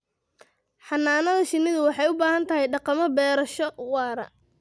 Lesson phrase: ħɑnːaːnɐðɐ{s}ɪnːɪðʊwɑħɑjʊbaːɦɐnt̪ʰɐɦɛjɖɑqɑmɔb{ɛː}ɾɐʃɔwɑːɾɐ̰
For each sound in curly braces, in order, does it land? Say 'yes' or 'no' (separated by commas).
no, yes